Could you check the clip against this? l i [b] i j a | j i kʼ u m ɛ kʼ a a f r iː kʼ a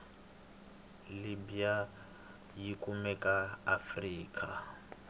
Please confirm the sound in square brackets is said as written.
yes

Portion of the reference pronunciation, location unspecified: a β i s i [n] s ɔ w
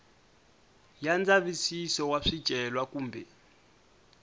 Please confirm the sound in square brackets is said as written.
no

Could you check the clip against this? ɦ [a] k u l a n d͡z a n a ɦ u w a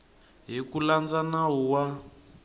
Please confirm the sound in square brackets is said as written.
no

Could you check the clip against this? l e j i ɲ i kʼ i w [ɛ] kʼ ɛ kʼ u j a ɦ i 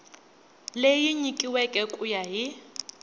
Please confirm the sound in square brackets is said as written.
yes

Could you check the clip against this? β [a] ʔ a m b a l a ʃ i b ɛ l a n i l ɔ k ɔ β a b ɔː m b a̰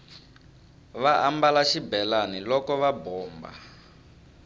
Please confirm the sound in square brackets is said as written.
yes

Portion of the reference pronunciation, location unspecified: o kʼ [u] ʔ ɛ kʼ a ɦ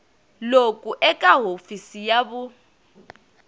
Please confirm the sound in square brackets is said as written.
yes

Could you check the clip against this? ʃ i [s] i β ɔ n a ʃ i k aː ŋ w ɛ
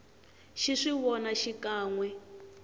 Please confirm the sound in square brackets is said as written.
no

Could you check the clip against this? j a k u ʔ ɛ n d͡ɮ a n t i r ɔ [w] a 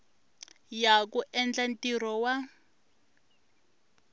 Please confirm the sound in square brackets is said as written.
yes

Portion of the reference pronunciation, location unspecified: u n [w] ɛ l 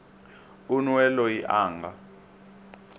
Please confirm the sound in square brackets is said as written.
yes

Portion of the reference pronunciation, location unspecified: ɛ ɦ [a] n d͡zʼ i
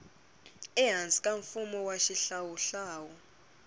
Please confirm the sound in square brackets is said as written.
yes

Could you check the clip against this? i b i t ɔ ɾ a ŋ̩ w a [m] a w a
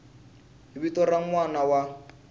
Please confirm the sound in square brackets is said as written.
no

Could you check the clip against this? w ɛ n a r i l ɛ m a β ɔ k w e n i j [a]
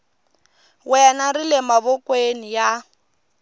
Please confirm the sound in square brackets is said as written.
yes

